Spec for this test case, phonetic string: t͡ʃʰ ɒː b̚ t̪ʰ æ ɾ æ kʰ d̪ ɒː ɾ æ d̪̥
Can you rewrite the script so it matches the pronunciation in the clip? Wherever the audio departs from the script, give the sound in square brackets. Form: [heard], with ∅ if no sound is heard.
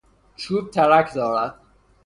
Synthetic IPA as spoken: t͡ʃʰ [uː] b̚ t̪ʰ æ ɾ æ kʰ d̪ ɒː ɾ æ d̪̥